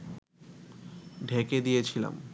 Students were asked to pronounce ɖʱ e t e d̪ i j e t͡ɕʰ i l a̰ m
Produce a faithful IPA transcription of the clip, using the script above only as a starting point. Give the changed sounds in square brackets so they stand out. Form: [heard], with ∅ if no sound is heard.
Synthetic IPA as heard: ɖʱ e [k] e d̪ i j e t͡ɕʰ i l a̰ m